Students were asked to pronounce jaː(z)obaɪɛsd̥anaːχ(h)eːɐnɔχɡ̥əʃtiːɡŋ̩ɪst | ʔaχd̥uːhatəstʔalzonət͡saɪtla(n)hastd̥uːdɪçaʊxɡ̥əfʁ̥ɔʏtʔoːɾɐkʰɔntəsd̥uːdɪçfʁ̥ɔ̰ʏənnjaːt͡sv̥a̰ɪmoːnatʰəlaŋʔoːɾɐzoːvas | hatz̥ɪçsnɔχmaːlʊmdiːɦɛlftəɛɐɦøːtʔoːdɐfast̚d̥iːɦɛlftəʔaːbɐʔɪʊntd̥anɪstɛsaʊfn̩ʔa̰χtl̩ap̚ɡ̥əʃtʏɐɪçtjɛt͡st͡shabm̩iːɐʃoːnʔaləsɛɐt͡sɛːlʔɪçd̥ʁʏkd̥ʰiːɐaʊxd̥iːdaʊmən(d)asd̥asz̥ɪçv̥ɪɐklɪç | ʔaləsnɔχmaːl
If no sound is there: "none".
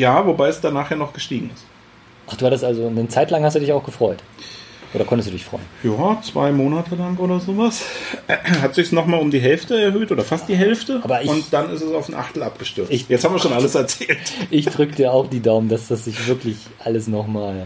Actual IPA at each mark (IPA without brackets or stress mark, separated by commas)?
v, h, ŋ, d